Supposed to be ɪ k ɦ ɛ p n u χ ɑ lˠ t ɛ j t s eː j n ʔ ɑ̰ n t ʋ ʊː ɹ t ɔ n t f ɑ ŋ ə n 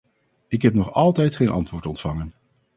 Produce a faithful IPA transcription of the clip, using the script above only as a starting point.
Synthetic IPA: ɪ k ɦ ɛ p n ɔ χ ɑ lˠ t ɛ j t χ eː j n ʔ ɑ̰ n t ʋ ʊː ɹ t ɔ n t f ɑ ŋ ə n